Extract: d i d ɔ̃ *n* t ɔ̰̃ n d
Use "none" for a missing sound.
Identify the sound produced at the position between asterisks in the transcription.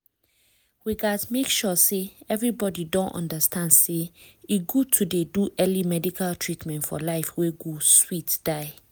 n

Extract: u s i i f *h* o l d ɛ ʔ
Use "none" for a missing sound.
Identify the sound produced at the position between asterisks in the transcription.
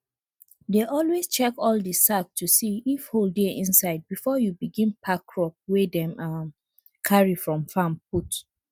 h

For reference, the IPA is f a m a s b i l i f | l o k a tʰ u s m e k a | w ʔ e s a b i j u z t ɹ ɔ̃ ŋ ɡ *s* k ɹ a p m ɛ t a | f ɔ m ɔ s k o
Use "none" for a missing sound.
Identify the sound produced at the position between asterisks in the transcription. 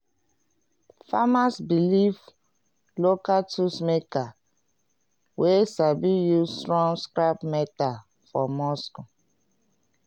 s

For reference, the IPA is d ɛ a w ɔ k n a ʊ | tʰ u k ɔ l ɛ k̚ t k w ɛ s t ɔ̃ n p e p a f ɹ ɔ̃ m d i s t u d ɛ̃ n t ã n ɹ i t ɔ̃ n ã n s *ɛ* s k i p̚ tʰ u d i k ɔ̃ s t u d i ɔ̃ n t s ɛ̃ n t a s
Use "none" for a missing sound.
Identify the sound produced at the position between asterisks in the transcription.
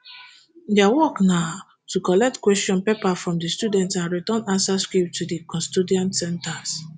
a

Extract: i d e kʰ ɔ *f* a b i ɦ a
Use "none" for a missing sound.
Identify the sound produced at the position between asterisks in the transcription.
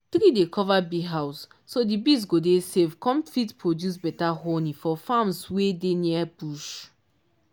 v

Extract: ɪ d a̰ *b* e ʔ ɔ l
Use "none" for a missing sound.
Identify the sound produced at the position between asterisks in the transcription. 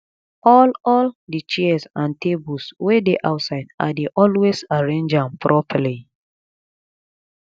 d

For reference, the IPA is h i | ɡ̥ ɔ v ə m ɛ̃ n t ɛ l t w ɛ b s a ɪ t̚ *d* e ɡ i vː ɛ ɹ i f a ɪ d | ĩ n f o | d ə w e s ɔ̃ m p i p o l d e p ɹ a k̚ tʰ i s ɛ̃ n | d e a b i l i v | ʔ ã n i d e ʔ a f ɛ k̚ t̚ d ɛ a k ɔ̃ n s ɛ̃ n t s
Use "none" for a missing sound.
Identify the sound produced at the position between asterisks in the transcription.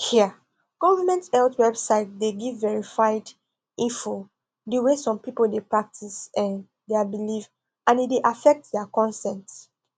d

